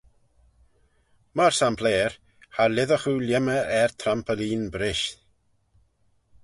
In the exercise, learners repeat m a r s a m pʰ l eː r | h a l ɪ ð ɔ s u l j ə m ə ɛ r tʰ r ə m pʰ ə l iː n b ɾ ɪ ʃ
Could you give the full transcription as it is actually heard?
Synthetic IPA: m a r s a m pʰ l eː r | h a l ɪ ð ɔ χ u l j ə m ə ɛ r tʰ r a m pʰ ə l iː n b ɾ ɪ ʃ